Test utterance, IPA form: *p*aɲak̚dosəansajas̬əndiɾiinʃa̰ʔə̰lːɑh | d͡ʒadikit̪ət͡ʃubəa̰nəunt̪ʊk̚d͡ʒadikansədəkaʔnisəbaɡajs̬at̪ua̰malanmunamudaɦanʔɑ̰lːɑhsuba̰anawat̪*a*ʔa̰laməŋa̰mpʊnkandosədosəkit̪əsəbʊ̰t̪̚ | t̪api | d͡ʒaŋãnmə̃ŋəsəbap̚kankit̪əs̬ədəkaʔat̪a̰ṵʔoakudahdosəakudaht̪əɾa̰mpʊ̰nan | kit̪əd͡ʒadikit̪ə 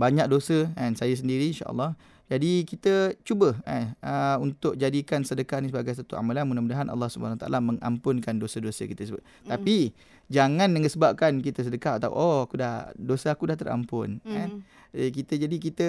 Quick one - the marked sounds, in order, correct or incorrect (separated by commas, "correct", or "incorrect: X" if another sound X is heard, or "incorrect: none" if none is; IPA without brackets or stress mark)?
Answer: incorrect: b, correct